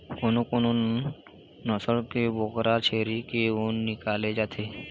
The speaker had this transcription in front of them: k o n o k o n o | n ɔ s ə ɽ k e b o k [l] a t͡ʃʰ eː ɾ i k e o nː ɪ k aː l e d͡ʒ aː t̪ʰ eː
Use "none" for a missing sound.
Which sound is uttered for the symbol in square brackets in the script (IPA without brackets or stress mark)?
ɾ